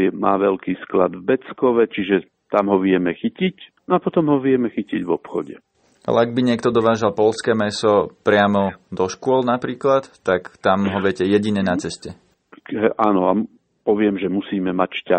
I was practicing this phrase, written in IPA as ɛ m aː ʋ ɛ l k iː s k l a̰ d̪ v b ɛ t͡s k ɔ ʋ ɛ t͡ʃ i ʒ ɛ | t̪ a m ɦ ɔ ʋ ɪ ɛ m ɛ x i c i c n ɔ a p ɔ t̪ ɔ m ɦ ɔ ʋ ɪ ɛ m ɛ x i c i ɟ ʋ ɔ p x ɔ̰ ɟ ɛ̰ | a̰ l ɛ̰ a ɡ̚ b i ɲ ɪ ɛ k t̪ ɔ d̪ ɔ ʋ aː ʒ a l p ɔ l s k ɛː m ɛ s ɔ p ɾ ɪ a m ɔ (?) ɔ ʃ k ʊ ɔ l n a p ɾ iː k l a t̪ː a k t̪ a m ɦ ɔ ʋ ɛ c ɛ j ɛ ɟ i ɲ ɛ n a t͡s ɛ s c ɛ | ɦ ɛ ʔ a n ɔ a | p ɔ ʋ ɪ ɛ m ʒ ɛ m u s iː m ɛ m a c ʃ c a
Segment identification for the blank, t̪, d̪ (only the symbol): d̪